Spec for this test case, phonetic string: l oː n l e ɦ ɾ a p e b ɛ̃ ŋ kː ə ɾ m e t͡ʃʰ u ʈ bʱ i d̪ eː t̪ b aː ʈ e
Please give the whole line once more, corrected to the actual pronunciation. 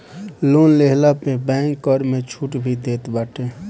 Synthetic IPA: l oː n l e ɦ l a p e b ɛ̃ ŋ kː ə ɾ m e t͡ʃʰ u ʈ bʱ i d̪ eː t̪ b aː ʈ e

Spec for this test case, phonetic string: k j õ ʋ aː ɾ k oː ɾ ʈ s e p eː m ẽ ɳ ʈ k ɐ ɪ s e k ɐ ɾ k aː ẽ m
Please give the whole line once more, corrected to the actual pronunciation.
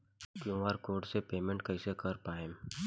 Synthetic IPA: k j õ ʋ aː ɾ k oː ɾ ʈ s e p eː m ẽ ɳ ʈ k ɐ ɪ s e k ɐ ɾ p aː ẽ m

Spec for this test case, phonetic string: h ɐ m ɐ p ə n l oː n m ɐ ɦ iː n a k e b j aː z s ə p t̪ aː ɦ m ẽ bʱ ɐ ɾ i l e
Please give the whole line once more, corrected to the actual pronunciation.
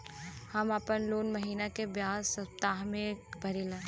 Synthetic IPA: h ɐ m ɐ p ə n l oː n m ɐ ɦ iː n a k e b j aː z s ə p t̪ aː ɦ m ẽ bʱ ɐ ɾ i l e

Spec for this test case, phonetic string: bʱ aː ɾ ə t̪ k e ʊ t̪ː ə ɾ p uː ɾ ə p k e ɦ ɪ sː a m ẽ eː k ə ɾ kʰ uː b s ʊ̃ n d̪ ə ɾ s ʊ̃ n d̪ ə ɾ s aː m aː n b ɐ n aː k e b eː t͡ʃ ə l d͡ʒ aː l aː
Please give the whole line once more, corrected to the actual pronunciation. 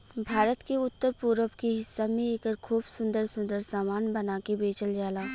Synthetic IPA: bʱ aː ɾ ə t̪ k e ʊ t̪ː ə ɾ p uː ɾ ə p k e ɦ ɪ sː a m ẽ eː k ə ɾ kʰ uː b s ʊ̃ n d̪ ə ɾ s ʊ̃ n d̪ ə ɾ s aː m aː n b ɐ n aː k e b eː t͡ʃ ə l d͡ʒ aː l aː

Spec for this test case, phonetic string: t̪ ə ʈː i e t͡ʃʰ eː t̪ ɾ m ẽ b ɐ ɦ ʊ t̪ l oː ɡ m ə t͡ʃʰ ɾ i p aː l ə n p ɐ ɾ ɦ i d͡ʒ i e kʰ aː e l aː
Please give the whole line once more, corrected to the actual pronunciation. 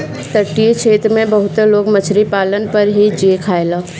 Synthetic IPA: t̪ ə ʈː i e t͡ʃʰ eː t̪ ɾ m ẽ b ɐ ɦ ʊ t̪ l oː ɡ m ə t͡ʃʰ ɾ i p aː l ə n p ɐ ɾ ɦ i d͡ʒ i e kʰ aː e l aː

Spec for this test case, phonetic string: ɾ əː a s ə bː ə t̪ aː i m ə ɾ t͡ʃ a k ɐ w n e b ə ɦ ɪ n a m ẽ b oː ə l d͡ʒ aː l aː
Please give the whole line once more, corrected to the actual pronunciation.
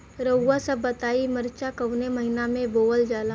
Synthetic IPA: ɾ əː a s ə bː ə t̪ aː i m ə ɾ t͡ʃ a k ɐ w n e m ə ɦ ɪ n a m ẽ b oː ə l d͡ʒ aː l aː

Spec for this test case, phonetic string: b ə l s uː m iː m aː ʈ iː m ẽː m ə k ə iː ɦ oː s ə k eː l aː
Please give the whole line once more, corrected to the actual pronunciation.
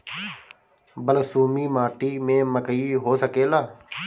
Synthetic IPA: b ə l s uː m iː m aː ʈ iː m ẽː m ə k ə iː ɦ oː s ə k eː l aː

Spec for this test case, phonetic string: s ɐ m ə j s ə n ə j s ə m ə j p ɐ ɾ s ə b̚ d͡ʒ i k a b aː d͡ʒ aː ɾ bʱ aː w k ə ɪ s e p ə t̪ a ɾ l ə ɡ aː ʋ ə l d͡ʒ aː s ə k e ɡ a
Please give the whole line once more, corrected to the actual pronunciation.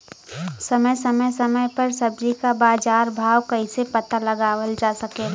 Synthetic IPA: s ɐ m ə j s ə m ə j s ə m ə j p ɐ ɾ s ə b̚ d͡ʒ i k a b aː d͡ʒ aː ɾ bʱ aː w k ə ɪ s e p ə t̪ a l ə ɡ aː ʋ ə l d͡ʒ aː s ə k e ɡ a

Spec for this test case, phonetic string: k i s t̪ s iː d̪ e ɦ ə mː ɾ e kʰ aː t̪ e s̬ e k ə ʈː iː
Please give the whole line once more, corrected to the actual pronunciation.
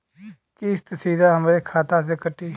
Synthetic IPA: k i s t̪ s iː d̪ a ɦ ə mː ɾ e kʰ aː t̪ a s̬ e k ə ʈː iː

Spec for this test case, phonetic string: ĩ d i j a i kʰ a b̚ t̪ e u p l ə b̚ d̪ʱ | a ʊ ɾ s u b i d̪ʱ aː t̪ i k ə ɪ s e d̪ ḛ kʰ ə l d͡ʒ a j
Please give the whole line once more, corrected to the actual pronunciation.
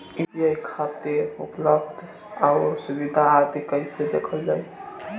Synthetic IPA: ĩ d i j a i kʰ a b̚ t̪ e u p l ə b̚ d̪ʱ | a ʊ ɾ s u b i d̪ʱ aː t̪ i k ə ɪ s e d̪ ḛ kʰ ə l d͡ʒ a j

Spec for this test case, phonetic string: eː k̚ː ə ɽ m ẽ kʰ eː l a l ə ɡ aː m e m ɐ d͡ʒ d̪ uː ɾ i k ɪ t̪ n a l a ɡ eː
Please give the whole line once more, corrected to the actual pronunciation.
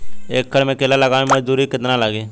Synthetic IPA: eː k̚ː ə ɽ m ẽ k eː l a l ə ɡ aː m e m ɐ d͡ʒ d̪ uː ɾ i k ɪ t̪ n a l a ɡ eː

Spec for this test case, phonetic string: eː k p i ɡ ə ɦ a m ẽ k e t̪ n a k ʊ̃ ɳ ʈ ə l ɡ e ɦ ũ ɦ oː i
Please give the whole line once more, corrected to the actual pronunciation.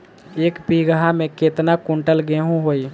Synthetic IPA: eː k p i ɡ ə ɦ a m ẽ k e t̪ n a k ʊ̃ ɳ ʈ ə l ɡ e ɦ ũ ɦ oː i

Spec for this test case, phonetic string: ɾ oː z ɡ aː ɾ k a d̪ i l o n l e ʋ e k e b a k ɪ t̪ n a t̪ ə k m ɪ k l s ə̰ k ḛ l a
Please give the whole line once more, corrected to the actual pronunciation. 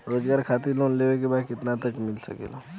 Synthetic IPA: ɾ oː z ɡ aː ɾ kʰ a t̪ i l o n l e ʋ e k e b a k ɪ t̪ n a t̪ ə k m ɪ l s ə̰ k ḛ l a

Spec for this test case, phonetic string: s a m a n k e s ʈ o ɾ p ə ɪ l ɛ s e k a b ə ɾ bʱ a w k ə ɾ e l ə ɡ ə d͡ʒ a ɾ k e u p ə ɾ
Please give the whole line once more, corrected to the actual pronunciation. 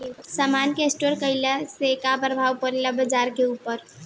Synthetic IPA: s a m a n k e s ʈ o ɾ k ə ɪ l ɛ s e k a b ə ɾ bʱ a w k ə ɾ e l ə b ə d͡ʒ a ɾ k e u p ə ɾ

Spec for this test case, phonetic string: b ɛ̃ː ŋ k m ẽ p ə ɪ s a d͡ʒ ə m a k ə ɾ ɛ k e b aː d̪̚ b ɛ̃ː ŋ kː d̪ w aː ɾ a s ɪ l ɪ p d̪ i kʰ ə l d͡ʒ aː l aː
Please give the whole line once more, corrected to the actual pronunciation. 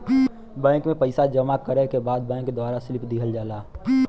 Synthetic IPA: b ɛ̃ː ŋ k m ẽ p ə ɪ s a d͡ʒ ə m a k ə ɾ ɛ k e b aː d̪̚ b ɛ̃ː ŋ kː d̪ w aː ɾ a s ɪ l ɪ p d̪ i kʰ ə l d͡ʒ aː l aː

